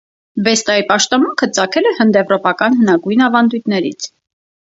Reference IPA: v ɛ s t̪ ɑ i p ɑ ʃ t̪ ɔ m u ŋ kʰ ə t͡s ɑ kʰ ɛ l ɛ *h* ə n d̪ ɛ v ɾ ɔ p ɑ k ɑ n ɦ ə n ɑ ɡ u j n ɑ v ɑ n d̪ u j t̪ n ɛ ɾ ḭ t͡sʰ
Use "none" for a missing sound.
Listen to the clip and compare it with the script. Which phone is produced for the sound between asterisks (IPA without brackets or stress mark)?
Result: h